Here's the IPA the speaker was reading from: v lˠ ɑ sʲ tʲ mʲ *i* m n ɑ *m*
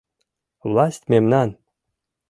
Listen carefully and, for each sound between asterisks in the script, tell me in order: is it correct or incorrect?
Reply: incorrect: e, incorrect: n

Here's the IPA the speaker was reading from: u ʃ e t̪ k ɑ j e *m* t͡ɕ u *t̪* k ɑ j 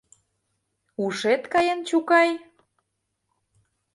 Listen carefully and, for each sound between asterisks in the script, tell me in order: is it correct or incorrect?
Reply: incorrect: n, incorrect: none

